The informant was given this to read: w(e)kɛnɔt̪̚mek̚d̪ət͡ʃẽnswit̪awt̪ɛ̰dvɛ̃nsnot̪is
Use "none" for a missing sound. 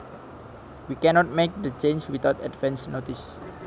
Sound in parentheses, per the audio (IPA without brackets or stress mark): i